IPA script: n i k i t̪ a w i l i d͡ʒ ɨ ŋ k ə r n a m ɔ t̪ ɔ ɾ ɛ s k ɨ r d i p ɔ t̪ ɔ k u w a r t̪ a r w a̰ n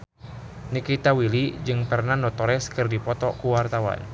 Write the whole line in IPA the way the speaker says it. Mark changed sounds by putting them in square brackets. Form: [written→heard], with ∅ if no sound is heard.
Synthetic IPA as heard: n i k i t̪ a w i l i d͡ʒ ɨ ŋ [k→p] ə r n a [m→n] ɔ t̪ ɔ ɾ ɛ s k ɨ r d i p ɔ t̪ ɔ k u w a r t̪ a [r→∅] w a̰ n